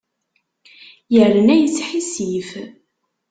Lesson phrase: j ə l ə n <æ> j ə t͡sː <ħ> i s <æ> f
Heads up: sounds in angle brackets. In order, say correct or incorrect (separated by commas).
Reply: correct, correct, incorrect